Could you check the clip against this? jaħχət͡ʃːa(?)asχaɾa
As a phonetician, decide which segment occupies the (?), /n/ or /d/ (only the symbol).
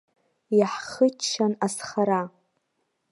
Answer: n